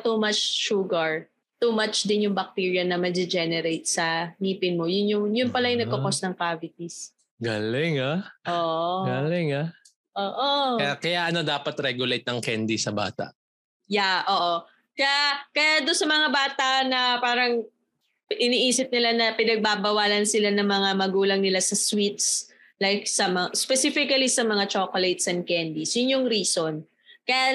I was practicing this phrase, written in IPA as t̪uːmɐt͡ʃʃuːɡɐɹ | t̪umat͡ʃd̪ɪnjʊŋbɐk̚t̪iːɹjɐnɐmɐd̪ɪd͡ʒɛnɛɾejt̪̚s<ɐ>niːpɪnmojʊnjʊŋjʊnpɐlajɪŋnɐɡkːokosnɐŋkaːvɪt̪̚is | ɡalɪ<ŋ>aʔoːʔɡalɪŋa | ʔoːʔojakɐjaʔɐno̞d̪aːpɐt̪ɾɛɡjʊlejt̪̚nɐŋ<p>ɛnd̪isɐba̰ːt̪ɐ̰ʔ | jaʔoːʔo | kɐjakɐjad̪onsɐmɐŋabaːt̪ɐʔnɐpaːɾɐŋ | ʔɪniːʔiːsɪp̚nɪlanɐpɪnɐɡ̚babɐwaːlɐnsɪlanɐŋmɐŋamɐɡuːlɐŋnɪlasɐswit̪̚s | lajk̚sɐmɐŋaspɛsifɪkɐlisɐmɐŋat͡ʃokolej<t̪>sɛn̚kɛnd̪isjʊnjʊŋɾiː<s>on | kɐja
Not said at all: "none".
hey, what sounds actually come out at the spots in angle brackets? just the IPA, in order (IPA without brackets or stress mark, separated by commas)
ɐ, ŋ, k, t̪, s